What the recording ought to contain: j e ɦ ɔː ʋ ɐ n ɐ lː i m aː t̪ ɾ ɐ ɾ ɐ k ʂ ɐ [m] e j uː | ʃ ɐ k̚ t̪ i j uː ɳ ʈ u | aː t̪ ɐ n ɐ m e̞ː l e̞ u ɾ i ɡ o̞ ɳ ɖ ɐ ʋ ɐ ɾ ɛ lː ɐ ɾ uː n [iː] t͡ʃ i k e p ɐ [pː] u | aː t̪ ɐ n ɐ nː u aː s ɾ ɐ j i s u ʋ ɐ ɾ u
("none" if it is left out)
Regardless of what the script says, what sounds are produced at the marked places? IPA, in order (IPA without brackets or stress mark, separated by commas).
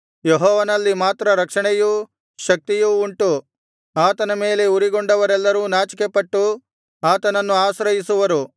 ɳ, aː, ʈː